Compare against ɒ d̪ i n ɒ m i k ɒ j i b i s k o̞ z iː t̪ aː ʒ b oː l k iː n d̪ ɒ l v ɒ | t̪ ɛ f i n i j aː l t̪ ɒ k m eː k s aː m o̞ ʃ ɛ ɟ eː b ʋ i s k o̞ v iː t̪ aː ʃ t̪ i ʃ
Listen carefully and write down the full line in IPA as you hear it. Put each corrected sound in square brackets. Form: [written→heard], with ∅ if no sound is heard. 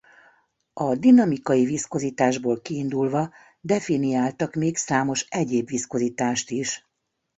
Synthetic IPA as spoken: ɒ d̪ i n ɒ m i k ɒ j i [b→v] i s k o̞ z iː t̪ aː ʒ b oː l k iː n d̪ [ɒ→u] l v ɒ | [t̪→d̪] ɛ f i n i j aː l t̪ ɒ k m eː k s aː m o̞ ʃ ɛ ɟ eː b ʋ i s k o̞ [v→z] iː t̪ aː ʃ t̪ i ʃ